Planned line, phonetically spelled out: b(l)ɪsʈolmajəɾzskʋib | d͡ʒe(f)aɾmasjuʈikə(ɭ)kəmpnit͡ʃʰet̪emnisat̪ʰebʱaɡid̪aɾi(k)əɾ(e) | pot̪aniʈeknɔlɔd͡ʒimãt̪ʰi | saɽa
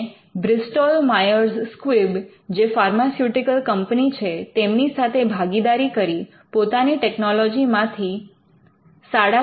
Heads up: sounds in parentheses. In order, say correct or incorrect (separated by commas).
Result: incorrect, correct, incorrect, correct, incorrect